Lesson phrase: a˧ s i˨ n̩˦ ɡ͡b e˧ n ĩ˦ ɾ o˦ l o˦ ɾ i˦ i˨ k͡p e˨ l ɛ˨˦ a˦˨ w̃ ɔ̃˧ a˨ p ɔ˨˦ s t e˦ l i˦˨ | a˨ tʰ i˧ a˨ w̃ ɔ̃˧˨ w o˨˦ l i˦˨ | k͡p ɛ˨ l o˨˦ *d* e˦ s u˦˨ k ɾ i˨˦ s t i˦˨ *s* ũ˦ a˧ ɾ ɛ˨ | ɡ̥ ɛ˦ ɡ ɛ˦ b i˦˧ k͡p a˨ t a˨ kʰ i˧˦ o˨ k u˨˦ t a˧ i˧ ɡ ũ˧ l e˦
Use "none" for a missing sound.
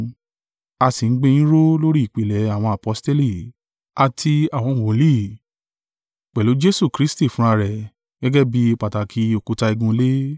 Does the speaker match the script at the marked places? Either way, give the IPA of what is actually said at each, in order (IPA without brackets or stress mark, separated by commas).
d͡ʒ, f